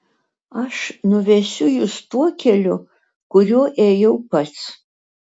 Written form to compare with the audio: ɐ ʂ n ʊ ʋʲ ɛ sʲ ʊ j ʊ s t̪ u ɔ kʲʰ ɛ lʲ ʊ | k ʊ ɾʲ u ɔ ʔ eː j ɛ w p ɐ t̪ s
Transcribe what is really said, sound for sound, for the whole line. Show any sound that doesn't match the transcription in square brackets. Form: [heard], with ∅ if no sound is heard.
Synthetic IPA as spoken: ɐ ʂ n ʊ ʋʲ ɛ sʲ ʊ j ʊ s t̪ u ɔ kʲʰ ɛ lʲ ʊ | k ʊ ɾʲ u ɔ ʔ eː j ɛ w p ɐ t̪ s